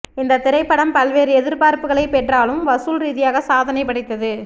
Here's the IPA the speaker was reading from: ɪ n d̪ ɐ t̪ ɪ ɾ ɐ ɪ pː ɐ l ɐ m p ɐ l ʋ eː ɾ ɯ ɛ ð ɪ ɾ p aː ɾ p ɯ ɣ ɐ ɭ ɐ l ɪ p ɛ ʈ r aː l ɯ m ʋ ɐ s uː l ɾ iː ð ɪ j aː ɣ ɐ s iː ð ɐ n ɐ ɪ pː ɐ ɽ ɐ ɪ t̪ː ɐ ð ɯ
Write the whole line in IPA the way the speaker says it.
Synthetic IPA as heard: ɪ n d̪ ɐ t̪ ɪ ɾ ɐ ɪ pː ɐ ɽ ɐ m p ɐ l ʋ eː ɾ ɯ ɛ ð ɪ ɾ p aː ɾ p ɯ ɣ ɐ ɭ ɐ ɪ p ɛ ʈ r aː l ɯ m ʋ ɐ s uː l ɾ iː ð ɪ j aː ɣ ɐ s aː ð ɐ n ɐ ɪ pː ɐ ɽ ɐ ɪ t̪ː ɐ ð ɯ